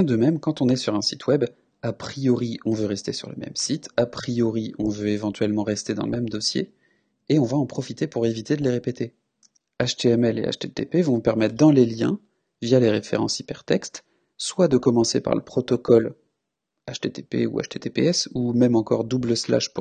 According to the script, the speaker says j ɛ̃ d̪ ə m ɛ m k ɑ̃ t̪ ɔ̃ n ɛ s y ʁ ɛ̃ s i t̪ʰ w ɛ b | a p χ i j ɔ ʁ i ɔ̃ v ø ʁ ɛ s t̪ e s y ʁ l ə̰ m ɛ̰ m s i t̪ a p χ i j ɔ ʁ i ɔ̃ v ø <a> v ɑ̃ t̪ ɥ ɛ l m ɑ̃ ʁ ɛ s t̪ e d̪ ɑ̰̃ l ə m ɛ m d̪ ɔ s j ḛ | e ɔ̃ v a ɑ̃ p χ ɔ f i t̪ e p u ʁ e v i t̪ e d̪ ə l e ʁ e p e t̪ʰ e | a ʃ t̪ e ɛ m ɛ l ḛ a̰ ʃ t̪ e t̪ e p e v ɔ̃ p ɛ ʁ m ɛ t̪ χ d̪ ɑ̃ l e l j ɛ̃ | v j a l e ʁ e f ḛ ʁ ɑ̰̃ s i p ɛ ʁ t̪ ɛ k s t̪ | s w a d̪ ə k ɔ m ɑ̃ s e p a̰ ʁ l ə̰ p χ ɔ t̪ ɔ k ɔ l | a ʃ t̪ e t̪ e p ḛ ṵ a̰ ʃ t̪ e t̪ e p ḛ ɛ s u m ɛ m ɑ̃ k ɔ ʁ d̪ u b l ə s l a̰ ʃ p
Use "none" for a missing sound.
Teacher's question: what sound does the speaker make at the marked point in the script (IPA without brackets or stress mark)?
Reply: e